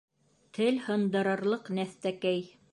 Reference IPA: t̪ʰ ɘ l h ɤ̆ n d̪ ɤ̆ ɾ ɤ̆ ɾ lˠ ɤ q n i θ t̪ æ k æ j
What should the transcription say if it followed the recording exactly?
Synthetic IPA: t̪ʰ ɘ l h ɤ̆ n d̪ ɤ̆ ɾ ɤ̆ ɾ lˠ ɤ q n æ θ t̪ æ k æ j